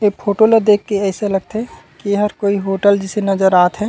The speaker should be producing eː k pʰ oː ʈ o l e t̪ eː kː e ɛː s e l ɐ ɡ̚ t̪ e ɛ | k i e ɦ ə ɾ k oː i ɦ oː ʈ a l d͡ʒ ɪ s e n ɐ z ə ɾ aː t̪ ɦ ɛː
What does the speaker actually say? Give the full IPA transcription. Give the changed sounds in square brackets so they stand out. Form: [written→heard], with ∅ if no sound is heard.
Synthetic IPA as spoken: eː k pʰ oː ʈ o l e [t̪→d̪] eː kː e ɛː s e l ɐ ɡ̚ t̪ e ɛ | k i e ɦ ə ɾ k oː i ɦ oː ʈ [a→ə] l d͡ʒ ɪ s e n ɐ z ə ɾ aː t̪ ɦ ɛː